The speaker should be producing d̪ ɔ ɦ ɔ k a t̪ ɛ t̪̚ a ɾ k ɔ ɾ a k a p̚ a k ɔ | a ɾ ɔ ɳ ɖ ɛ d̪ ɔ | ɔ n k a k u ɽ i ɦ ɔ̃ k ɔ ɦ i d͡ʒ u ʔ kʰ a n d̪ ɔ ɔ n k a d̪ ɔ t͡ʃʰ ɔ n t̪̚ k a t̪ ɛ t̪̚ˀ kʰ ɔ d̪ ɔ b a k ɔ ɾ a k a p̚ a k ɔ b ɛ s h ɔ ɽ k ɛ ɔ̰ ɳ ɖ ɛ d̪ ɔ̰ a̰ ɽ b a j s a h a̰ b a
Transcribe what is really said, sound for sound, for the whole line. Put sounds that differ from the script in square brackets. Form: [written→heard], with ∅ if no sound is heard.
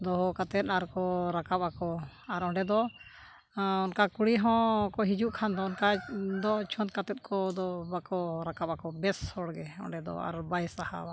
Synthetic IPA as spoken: d̪ ɔ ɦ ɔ k a t̪ ɛ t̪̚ a ɾ k ɔ ɾ a k a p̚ a k ɔ | a ɾ ɔ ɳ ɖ ɛ d̪ ɔ | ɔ n k a k u ɽ i ɦ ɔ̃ k ɔ ɦ i d͡ʒ u ʔ kʰ a n d̪ ɔ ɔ n k a d̪ ɔ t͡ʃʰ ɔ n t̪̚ k a t̪ ɛ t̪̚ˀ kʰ ɔ d̪ ɔ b a k ɔ ɾ a k a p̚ a k ɔ b ɛ s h ɔ ɽ [k→ɡ] ɛ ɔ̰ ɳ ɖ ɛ d̪ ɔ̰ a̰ [ɽ→ɾ] b a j s a h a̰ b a

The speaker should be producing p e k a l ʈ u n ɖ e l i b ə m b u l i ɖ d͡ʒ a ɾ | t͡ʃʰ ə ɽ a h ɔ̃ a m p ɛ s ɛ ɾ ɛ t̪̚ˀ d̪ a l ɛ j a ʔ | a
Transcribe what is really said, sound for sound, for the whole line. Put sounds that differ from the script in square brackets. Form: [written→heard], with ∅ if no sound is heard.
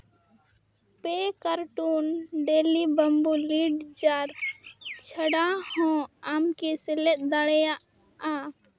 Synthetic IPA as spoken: p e k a [l→ɾ] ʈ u n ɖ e l i b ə m b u l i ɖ d͡ʒ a ɾ | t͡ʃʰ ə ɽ a h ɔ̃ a m [p→k] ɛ s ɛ [ɾ→l] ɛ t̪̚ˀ d̪ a [l→ɽ] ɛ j a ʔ | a

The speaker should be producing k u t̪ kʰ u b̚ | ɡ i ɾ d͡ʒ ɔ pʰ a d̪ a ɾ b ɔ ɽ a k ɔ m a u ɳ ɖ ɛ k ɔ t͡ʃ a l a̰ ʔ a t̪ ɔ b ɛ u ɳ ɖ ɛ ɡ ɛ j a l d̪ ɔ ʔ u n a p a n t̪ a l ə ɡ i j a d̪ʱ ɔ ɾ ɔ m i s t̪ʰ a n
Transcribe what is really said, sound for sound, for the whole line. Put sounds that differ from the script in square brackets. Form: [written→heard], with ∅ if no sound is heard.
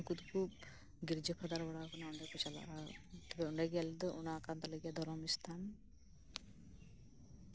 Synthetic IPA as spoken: k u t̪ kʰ u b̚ | ɡ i ɾ d͡ʒ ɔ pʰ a d̪ a ɾ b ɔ ɽ a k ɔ [m→n] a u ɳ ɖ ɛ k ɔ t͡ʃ a l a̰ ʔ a t̪ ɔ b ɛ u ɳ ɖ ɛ ɡ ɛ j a l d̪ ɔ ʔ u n a [p→k] a n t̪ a l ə ɡ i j a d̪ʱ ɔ ɾ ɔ m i s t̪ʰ a n

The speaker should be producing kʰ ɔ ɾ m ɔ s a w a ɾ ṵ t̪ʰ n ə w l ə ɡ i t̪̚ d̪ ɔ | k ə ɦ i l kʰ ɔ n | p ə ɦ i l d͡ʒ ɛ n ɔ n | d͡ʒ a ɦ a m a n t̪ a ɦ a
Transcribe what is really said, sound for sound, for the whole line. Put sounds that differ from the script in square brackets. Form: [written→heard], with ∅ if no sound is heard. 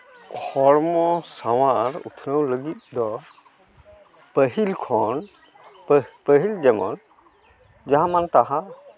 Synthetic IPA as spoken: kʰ ɔ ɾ m ɔ s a w a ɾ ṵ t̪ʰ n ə w l ə ɡ i t̪̚ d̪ ɔ | [k→p] ə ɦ i l kʰ ɔ n | p ə ɦ i l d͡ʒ ɛ [n→m] ɔ n | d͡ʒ a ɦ a m a n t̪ a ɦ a

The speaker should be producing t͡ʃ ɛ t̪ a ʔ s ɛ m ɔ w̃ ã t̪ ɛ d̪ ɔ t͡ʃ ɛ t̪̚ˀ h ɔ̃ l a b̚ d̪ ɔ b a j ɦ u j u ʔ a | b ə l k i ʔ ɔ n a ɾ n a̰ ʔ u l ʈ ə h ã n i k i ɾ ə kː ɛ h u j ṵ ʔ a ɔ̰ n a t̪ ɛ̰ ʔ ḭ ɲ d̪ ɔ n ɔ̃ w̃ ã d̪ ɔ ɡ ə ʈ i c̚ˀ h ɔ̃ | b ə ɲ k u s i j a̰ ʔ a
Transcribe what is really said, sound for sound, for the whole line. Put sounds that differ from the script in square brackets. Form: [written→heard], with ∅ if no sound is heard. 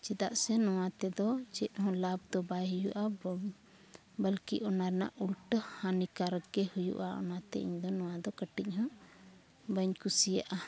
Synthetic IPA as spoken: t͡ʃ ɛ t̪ a ʔ s ɛ [m→n] ɔ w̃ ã t̪ ɛ d̪ ɔ t͡ʃ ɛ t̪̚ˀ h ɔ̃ l a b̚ d̪ ɔ b a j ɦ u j u ʔ a | b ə l k i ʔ ɔ n a ɾ n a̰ ʔ u l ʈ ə h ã n i k [i→a] ɾ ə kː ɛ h u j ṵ ʔ a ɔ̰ n a t̪ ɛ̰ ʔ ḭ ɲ d̪ ɔ n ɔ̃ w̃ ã d̪ ɔ [ɡ→k] ə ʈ i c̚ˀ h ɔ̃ | b ə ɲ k u s i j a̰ ʔ a

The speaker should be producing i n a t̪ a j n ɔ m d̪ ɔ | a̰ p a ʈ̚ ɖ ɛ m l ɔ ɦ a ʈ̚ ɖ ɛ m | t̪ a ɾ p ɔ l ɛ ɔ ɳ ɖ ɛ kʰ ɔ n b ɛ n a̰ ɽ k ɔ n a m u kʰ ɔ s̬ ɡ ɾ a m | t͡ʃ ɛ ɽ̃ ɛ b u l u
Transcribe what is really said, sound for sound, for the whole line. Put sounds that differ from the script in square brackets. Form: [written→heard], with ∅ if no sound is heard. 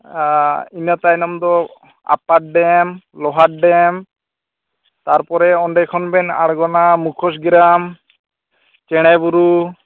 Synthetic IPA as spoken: i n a t̪ a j n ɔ m d̪ ɔ | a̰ p a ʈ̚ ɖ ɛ m l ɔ ɦ a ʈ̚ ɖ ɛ m | t̪ a ɾ p ɔ [l→ɾ] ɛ ɔ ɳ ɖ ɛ kʰ ɔ n b ɛ n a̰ ɽ [k→ɡ] ɔ n a m u kʰ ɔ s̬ ɡ ɾ a m | t͡ʃ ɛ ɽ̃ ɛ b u [l→ɾ] u

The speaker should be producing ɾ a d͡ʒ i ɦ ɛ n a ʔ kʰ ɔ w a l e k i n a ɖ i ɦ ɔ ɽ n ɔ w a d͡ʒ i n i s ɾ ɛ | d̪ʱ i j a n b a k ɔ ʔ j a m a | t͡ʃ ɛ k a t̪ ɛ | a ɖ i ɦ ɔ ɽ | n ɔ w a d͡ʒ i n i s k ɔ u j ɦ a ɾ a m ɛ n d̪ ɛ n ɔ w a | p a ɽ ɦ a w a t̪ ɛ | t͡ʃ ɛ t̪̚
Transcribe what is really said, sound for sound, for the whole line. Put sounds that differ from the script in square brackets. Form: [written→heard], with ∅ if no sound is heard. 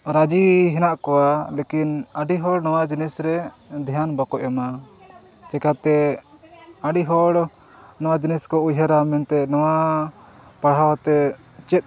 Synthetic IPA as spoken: ɾ a d͡ʒ i ɦ ɛ n a ʔ [kʰ→k] ɔ w a l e k i n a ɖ i ɦ ɔ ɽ n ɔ w a d͡ʒ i n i s ɾ ɛ | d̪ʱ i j a n b a k ɔ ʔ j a m a | t͡ʃ ɛ k a t̪ ɛ | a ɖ i ɦ ɔ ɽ | n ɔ w a d͡ʒ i n i s k ɔ u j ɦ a ɾ a m ɛ n [d̪→t̪] ɛ n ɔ w a | p a ɽ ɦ a w a t̪ ɛ | t͡ʃ ɛ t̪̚

